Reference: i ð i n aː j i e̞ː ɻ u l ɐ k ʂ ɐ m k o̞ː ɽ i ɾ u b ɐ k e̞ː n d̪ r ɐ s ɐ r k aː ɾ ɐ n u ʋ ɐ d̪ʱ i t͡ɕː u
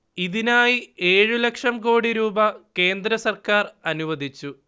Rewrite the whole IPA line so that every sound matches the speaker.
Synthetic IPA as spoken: i ð i n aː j i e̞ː ɻ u l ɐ k ʂ ɐ m k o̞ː ɽ i ɾ uː b ɐ k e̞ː n d̪ ɾ ɐ s ɐ r k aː r ɐ n u ʋ ɐ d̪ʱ i t͡ɕː u